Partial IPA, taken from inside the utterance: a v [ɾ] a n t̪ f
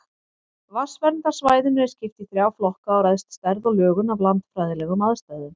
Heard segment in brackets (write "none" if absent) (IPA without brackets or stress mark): l